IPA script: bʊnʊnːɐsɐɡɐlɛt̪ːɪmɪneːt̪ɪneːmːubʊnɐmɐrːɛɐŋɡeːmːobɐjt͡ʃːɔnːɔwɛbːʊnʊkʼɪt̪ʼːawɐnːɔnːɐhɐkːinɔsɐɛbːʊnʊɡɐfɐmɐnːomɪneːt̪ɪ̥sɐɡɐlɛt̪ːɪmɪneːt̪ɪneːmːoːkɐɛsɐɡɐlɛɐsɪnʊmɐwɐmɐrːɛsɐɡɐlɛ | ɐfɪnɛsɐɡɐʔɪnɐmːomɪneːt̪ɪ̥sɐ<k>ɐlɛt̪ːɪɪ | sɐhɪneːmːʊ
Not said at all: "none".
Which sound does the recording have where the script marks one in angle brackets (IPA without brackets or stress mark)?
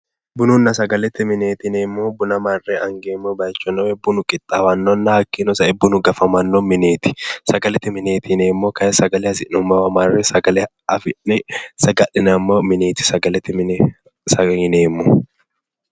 ɡ